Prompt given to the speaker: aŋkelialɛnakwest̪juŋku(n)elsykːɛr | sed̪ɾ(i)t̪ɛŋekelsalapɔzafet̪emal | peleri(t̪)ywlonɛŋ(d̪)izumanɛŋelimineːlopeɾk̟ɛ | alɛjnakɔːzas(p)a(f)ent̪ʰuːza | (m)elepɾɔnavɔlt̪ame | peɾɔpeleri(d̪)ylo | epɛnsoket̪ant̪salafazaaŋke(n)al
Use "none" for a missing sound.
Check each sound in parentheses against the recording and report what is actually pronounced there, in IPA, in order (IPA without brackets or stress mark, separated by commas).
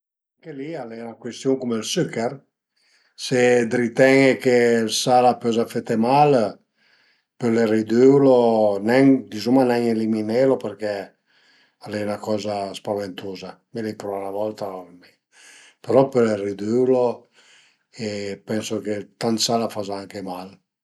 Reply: m, i, d̪, d̪, p, v, m, d̪, m